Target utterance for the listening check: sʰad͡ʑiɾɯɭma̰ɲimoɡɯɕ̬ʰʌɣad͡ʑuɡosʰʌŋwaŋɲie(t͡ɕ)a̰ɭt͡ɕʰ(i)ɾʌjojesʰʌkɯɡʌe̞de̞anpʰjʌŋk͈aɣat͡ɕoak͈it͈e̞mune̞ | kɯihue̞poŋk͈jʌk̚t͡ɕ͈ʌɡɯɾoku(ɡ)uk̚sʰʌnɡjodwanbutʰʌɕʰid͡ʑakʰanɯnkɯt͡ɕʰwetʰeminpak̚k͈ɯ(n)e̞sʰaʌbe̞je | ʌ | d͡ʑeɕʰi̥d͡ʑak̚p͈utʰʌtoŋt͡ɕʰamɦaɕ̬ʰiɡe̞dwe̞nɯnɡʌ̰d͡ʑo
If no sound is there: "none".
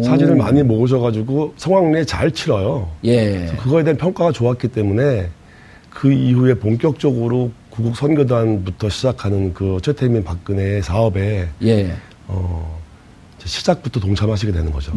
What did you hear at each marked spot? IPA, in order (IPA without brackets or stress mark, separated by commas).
t͡ɕ, i, ɡ, n